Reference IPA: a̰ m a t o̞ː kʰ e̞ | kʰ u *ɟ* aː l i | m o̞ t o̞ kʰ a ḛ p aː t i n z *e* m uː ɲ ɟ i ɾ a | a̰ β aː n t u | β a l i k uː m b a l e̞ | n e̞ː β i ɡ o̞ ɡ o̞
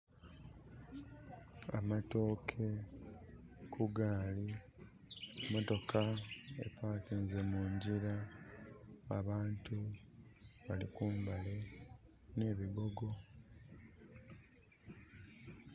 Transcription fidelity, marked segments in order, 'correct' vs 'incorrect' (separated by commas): incorrect, correct